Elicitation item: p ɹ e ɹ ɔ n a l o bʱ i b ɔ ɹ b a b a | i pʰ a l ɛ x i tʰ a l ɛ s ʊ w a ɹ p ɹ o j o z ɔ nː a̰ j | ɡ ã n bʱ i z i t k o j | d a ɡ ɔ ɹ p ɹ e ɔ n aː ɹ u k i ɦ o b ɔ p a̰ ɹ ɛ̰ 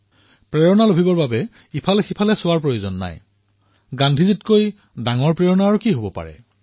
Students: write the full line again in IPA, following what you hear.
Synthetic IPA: p ɹ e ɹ ɔ n a l o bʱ i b ɔ ɹ b a b ɛ | i pʰ a l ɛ x i pʰ a l ɛ s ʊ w a ɹ p ɹ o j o z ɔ nː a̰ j | ɡ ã n dʱ i z i t k o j | d a ŋ ɔ ɹ p ɹ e ɔ n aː ɹ u k i ɦ o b ɔ p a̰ ɹ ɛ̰